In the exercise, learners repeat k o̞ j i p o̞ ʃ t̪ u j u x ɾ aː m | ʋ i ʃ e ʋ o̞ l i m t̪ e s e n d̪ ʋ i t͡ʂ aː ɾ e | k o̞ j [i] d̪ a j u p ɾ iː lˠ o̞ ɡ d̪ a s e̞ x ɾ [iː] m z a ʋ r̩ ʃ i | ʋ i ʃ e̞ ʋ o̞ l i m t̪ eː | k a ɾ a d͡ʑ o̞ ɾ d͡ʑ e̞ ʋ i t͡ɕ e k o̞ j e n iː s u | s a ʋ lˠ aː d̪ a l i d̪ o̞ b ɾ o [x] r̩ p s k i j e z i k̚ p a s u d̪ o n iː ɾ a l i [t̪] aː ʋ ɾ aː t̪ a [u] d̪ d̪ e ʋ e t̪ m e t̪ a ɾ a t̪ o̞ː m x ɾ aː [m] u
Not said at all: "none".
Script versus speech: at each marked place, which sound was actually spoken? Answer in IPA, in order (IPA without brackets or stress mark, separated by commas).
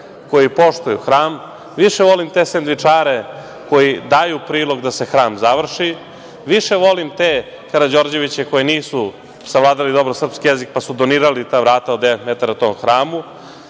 i, aː, s, t̪, o, m